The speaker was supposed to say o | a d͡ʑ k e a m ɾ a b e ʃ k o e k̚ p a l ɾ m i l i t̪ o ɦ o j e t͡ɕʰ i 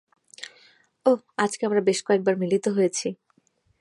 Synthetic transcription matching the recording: o | a d͡ʑ k e a m ɾ a b e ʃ k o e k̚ b a ɾ m i l i t̪ o ɦ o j e t͡ɕʰ i